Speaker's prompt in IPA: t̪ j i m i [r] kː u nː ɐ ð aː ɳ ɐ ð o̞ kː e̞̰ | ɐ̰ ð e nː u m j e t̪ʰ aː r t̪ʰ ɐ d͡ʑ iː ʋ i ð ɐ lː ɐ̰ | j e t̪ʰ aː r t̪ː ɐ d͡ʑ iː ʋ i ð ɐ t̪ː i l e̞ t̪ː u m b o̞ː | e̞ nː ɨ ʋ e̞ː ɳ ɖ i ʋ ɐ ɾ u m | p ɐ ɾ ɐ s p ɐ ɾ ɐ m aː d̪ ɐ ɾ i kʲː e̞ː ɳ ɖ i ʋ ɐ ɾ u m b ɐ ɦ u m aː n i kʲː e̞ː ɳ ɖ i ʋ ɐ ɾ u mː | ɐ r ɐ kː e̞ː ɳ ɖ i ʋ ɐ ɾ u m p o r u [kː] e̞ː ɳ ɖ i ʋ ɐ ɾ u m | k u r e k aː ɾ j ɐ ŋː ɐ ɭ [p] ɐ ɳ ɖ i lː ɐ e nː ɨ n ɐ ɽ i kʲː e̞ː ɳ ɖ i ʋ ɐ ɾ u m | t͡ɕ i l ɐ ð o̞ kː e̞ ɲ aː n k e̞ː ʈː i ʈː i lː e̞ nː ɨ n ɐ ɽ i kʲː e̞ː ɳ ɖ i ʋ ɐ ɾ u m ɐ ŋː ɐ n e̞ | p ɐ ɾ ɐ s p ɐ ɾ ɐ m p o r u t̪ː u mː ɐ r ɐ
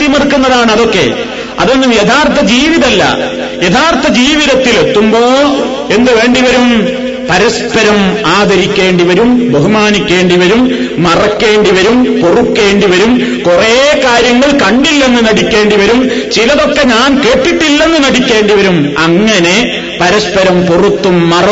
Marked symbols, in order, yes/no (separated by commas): yes, yes, no